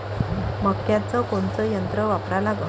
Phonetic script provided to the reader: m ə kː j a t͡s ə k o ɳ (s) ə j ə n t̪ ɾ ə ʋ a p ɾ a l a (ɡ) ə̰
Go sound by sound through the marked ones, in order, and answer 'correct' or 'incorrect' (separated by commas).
incorrect, correct